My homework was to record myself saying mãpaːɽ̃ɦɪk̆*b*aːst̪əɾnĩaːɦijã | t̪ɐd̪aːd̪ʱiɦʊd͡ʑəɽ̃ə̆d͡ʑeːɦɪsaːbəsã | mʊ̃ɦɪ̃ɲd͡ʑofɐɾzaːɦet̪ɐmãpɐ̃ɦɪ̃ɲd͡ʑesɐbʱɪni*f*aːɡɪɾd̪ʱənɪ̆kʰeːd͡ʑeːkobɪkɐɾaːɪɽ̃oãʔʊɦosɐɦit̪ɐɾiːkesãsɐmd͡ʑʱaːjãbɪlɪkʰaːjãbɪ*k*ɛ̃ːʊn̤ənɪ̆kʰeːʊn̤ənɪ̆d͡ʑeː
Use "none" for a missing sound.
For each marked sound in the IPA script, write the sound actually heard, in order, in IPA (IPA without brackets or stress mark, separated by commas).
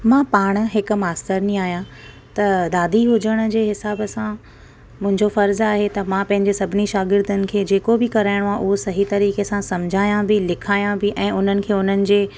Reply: m, ʃ, ʔ